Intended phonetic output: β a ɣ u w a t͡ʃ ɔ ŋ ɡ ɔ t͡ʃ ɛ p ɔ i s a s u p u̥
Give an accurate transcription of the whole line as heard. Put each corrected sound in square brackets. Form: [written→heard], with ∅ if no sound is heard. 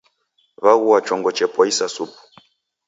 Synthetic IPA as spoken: β a ɣ u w a t͡ʃ ɔ ŋ ɡ ɔ t͡ʃ ɛ p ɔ i s a s u p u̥